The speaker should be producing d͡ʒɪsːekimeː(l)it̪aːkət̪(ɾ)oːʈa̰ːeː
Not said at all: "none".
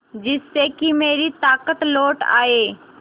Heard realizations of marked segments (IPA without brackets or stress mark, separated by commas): ɾ, l